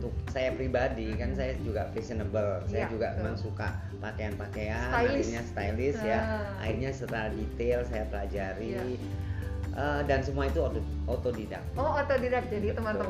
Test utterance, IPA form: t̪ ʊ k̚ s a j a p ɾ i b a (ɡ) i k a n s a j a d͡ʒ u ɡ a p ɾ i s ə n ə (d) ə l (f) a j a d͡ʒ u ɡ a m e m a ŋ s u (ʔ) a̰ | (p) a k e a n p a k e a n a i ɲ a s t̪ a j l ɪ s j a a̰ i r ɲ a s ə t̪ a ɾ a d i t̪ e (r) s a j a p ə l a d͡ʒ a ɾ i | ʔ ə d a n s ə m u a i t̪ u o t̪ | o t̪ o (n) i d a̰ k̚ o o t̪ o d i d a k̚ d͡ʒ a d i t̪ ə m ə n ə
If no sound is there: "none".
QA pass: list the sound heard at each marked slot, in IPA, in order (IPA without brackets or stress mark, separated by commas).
d, b, s, k, p, l, d